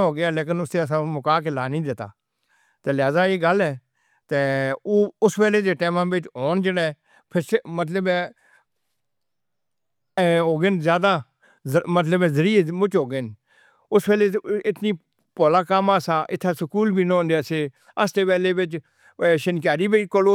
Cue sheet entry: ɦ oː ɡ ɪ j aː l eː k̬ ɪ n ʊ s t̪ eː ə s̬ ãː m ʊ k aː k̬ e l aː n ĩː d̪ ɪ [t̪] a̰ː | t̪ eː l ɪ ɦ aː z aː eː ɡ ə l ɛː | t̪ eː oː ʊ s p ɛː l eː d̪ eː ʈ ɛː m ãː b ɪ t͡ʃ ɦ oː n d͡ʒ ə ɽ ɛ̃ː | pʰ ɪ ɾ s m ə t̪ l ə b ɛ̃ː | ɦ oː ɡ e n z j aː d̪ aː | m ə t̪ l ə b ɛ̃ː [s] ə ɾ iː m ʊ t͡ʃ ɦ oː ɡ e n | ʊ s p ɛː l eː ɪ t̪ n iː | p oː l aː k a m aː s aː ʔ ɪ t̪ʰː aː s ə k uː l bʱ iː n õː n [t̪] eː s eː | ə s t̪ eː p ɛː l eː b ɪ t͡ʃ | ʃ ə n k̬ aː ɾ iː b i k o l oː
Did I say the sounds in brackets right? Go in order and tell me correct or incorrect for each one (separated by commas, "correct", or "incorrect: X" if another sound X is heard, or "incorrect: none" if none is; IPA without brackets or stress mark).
correct, incorrect: z, incorrect: d̪